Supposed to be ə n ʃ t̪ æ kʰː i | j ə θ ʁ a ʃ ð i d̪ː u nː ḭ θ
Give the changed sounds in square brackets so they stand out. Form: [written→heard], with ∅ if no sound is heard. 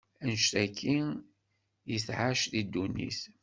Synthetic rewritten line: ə n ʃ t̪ æ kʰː i | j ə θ [ʁ→ʕ] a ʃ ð i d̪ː u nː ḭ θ